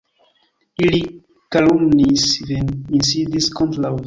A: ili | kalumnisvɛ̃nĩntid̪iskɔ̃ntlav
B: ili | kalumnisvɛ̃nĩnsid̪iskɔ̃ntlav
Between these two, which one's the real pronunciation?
B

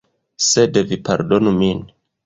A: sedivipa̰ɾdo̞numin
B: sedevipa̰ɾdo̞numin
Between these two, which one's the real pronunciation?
B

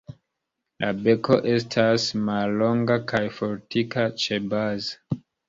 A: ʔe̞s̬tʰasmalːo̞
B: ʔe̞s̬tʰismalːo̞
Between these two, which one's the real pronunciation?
A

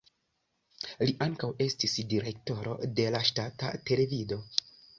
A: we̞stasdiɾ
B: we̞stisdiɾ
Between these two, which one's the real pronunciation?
B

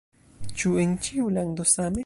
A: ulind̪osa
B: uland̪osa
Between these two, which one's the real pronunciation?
B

